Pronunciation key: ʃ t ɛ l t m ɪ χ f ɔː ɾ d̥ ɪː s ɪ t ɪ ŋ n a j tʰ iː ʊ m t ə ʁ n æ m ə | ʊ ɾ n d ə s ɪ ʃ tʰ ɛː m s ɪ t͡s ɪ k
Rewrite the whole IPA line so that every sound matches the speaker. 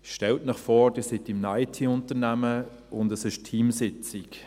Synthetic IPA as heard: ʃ t ɛ l t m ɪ χ f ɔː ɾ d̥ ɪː s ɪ t ɪ m n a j tʰ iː ʊ n t ə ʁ n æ m ə | ʊ n d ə s ɪ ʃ tʰ iː m s ɪ t͡s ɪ k